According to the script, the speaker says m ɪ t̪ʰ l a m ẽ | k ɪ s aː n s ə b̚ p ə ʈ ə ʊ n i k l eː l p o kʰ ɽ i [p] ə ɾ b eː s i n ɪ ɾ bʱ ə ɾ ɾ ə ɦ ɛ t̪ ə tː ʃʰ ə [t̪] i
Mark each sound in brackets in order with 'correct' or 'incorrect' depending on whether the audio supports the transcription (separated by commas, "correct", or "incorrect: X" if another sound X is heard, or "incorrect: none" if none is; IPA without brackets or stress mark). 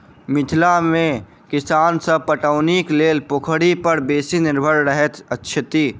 correct, correct